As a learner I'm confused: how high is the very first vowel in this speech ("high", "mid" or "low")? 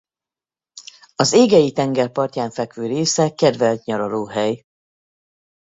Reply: low